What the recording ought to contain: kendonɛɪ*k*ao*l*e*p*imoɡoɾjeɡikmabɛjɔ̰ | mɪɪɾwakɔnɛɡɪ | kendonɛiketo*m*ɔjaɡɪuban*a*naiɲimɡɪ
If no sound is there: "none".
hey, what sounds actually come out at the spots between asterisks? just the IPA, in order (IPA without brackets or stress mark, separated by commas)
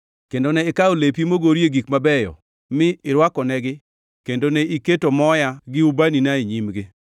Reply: k, l, p, m, i